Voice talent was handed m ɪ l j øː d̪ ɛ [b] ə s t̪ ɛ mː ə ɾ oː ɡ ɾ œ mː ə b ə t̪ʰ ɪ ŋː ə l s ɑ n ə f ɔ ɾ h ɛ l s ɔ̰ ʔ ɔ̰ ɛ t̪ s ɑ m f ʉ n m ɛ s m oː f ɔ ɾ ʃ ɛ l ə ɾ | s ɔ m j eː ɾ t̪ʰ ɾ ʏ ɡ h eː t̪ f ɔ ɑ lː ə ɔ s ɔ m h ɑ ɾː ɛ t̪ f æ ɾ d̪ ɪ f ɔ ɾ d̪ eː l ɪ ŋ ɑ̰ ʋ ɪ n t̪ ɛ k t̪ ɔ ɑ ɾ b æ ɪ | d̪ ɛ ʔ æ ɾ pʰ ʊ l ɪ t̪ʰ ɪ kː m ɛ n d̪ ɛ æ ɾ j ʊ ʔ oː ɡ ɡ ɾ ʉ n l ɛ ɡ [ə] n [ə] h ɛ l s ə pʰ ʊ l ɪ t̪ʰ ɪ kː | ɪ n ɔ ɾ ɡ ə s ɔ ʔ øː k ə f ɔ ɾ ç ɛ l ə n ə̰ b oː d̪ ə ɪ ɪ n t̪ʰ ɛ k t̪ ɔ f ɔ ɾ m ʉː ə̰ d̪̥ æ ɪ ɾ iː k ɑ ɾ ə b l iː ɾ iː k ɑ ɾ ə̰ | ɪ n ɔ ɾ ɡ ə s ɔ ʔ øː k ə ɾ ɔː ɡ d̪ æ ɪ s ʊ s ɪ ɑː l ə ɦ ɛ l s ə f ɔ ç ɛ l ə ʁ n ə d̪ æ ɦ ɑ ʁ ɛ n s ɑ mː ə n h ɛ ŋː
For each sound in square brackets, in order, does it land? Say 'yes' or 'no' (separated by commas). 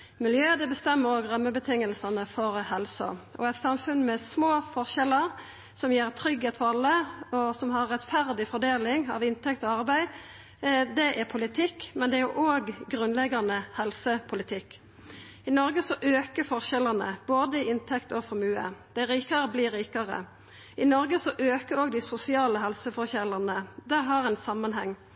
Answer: yes, no, yes